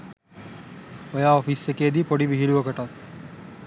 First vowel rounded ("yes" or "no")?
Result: yes